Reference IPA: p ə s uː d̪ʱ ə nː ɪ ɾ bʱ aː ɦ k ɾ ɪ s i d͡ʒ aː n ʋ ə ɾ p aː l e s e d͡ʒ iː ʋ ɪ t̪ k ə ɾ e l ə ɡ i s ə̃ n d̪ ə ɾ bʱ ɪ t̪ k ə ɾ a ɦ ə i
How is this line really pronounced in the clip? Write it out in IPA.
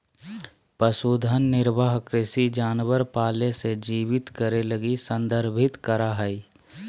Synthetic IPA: p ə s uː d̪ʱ ə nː ɪ ɾ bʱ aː ɦ k ɾ ɪ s i d͡ʒ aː n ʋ ə ɾ p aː l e s e d͡ʒ iː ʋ ɪ t̪ k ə ɾ e l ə ɡ i s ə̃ n d̪ ə ɾ bʱ ɪ t̪ k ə ɾ a ɦ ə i